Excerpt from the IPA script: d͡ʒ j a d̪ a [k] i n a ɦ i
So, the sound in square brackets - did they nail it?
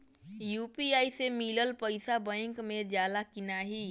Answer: yes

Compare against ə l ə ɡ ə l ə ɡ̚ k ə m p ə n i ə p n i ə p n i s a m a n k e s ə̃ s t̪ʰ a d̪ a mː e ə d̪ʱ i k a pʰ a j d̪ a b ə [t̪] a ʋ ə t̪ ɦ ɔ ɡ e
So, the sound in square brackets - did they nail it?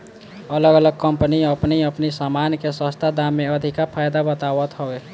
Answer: yes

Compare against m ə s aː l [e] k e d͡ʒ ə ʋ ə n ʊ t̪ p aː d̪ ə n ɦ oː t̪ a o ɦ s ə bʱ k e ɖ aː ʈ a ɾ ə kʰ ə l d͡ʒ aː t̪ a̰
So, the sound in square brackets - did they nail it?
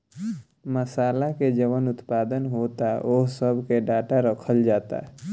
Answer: no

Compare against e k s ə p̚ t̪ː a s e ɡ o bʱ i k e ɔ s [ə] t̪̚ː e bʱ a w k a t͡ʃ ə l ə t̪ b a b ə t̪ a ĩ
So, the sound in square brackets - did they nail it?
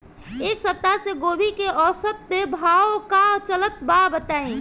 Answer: yes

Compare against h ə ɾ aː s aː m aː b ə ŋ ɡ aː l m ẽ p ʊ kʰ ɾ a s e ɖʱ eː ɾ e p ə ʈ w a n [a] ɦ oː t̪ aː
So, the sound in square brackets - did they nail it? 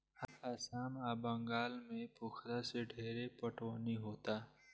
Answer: no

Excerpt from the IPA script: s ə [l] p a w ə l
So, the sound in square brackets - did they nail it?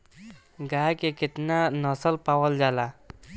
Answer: yes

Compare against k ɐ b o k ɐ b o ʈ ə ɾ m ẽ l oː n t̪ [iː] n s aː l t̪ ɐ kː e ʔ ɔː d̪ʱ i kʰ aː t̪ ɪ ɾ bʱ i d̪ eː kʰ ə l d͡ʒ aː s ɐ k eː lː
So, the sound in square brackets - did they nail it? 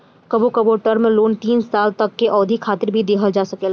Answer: yes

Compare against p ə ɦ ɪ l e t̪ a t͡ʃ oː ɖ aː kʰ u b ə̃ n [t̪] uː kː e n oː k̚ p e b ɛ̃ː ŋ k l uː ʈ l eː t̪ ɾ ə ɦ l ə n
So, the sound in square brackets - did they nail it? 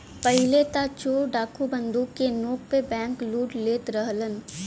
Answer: no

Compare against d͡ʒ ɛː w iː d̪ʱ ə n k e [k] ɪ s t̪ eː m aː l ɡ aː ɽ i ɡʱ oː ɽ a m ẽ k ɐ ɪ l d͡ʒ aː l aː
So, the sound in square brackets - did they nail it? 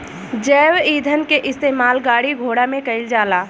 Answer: no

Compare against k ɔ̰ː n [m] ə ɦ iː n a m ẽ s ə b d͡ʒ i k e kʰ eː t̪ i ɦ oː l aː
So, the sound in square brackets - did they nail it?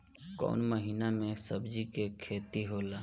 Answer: yes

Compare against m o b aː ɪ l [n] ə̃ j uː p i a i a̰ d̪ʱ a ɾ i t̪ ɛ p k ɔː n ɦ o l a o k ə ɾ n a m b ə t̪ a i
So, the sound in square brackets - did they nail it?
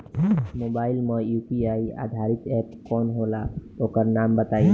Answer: no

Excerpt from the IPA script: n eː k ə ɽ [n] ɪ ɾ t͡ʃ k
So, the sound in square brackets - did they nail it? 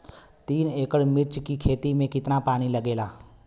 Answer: no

